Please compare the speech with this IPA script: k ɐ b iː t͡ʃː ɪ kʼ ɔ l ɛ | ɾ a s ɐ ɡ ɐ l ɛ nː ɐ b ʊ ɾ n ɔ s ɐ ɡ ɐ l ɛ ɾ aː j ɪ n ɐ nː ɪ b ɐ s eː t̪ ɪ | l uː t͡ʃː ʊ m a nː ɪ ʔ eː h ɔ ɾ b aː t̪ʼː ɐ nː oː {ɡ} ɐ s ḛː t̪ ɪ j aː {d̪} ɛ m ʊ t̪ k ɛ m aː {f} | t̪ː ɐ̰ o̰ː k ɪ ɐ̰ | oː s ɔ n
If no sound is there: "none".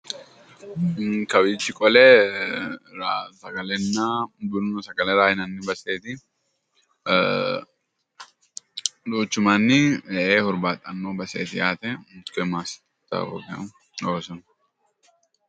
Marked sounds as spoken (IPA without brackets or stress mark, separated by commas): b, t̪, s